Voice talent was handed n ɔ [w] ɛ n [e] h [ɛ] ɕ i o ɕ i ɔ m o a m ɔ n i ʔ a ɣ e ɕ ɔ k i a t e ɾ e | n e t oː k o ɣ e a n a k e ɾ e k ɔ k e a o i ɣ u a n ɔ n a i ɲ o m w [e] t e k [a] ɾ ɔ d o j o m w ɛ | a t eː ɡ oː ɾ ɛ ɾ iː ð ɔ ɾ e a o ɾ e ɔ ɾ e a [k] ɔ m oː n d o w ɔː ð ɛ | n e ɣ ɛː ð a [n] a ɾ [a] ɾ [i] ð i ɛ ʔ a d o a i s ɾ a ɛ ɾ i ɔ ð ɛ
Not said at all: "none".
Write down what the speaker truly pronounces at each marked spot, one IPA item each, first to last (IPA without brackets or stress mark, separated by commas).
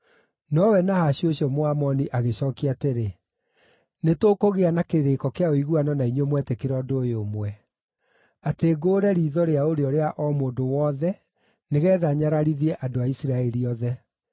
w, a, a, ɛ, e, ʔ, ɲ, a, i